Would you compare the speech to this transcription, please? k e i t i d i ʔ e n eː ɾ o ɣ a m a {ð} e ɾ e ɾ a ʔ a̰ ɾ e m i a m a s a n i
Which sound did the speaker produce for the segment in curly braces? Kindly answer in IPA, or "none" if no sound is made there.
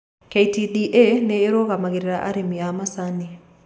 ɣ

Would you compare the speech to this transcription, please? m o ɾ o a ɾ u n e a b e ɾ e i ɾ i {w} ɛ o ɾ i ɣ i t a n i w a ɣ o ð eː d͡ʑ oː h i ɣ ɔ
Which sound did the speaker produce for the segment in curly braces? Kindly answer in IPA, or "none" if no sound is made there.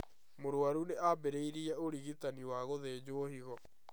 none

